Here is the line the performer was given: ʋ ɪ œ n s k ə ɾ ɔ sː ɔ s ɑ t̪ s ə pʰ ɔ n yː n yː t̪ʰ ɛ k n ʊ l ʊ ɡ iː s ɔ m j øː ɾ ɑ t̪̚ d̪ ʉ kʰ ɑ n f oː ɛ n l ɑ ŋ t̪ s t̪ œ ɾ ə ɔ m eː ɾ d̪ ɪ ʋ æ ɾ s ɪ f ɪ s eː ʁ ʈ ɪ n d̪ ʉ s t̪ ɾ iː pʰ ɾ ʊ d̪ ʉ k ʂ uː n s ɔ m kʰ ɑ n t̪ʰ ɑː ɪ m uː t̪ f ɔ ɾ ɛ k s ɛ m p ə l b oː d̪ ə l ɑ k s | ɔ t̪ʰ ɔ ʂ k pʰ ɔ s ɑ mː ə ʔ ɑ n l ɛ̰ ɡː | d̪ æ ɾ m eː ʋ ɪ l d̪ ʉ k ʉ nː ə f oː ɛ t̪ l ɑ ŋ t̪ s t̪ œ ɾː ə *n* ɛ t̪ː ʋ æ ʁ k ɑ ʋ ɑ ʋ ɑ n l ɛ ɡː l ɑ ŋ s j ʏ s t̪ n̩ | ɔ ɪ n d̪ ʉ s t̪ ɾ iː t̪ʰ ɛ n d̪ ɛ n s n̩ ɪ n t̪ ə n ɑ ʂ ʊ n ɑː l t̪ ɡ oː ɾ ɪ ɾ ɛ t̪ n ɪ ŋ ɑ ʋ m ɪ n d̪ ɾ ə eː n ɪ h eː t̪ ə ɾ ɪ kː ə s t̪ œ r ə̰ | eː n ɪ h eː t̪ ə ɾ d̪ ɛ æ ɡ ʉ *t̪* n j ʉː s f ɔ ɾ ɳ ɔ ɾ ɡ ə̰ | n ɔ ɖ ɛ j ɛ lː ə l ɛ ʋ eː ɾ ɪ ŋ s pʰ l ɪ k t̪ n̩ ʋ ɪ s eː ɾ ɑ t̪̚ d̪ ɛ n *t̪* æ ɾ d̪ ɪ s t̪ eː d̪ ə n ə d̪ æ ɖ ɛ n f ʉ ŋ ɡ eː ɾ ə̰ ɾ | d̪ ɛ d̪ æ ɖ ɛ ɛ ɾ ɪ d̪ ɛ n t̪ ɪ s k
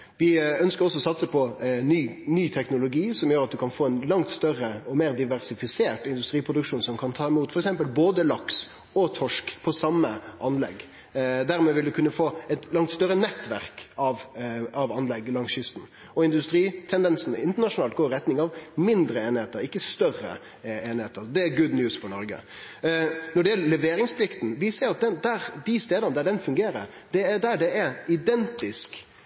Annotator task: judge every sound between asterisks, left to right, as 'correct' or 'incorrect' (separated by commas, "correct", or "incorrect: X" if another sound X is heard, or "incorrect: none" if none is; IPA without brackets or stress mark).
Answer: correct, incorrect: d̪, incorrect: d̪